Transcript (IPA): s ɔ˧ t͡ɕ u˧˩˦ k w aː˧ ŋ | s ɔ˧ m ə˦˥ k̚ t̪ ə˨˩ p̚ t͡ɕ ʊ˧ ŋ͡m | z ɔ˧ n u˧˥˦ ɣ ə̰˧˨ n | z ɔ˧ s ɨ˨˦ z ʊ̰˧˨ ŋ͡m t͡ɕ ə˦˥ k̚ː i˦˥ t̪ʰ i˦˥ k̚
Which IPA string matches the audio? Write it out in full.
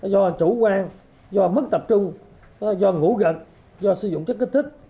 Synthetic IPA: z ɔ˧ t͡ɕ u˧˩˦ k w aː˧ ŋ | z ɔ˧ m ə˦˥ k̚ t̪ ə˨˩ p̚ t͡ɕ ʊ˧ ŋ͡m | z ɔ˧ ŋ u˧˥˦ ɣ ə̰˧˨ n | z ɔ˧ s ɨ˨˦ z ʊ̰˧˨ ŋ͡m t͡ɕ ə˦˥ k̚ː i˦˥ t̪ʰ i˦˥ k̚

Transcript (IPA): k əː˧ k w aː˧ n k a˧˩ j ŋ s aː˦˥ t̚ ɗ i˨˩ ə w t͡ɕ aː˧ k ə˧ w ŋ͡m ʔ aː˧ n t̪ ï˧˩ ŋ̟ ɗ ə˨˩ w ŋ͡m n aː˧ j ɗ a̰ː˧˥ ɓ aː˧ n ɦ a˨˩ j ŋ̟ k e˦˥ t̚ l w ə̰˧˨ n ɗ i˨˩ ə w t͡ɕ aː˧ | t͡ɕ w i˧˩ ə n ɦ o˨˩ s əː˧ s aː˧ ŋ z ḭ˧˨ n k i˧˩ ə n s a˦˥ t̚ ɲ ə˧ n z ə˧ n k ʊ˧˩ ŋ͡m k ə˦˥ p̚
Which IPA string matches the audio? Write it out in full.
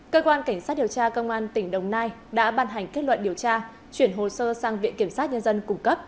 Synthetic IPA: k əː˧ k w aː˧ n k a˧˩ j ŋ s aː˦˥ t̚ ɗ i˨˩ ə w t͡ɕ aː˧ k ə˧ w ŋ͡m ʔ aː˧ n t̪ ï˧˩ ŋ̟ ɗ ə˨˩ w ŋ͡m n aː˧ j ɗ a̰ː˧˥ ɓ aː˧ n ɦ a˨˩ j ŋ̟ k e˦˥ t̚ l w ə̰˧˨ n ɗ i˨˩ ə w t͡ɕ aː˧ | t͡ɕ w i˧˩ ə n ɦ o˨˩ s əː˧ s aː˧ ŋ v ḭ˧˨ n k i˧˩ ə m s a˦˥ t̚ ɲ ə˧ n z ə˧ n k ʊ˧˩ ŋ͡m k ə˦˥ p̚

